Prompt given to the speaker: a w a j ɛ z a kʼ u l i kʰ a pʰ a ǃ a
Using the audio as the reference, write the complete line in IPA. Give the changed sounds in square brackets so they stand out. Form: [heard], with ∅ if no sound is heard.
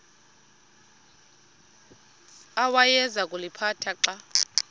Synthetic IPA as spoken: a w a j ɛ z a kʼ u l i [pʰ] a [tʰ] a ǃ a